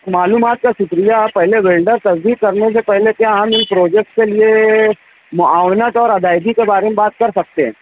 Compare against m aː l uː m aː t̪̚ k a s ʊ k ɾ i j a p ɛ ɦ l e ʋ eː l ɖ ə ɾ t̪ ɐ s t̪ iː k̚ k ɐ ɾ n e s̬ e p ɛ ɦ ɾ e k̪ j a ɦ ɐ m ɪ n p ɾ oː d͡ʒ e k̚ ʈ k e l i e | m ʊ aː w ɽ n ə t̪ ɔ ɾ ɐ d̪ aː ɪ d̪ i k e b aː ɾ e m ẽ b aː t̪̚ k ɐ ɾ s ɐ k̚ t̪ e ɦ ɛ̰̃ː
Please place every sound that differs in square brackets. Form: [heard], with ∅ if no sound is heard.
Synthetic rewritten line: m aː l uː m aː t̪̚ k a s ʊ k ɾ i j a p ɛ ɦ l e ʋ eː l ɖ ə ɾ t̪ ɐ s [d̪] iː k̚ k ɐ ɾ n e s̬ e p ɛ ɦ [l] e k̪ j a ɦ ɐ m ɪ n p ɾ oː d͡ʒ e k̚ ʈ k e l i e | m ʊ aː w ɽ n ə t̪ [ɔː] ɾ ɐ d̪ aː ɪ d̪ i k e b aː ɾ e m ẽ b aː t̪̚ k ɐ ɾ s ɐ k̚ t̪ e ɦ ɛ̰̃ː